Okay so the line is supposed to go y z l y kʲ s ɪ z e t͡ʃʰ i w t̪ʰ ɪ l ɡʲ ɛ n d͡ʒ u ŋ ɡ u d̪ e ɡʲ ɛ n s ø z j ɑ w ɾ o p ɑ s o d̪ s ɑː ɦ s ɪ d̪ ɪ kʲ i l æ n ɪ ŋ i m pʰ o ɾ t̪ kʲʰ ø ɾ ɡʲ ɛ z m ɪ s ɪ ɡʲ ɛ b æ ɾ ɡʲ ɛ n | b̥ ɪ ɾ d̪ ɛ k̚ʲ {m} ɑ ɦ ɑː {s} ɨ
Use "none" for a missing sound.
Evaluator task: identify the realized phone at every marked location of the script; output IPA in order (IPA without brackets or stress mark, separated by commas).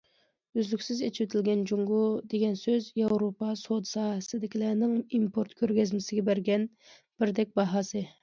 b, s